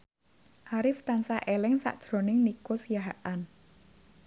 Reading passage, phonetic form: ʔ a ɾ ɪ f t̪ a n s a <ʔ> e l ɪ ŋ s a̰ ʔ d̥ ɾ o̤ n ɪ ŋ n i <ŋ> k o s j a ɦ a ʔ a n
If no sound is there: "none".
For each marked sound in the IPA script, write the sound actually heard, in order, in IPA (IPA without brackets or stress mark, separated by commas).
ʔ, none